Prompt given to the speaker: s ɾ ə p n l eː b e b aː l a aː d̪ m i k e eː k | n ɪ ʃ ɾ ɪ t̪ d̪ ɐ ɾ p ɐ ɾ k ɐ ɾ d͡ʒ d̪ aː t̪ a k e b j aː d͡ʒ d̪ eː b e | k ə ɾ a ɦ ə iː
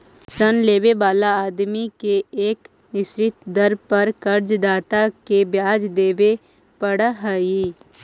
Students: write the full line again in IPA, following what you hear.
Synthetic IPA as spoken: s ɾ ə n l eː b e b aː l a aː d̪ m i k e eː k | n ɪ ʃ ɾ ɪ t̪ d̪ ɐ ɾ p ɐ ɾ k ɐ ɾ d͡ʒ d̪ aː t̪ a k e b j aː d͡ʒ d̪ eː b e | p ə ɽ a ɦ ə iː